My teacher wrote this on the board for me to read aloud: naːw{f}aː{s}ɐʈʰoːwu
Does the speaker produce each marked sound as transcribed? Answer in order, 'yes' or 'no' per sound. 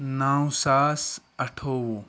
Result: no, yes

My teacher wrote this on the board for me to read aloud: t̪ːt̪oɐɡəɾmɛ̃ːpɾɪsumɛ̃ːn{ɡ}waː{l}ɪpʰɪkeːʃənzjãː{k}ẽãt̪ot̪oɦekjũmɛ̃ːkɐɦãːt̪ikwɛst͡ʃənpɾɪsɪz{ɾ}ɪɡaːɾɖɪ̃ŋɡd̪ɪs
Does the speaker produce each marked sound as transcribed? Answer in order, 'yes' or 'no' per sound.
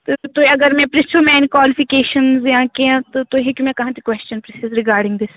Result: no, yes, yes, yes

